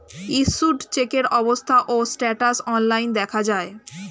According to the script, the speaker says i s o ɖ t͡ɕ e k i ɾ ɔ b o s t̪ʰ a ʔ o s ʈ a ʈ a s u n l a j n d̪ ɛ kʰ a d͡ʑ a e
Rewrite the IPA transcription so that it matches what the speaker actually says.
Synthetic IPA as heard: i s u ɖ t͡ɕ e k e ɾ ɔ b o s t̪ʰ a ʔ o s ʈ ɛ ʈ a s ɔ n l a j n d̪ ɛ kʰ a d͡ʑ a e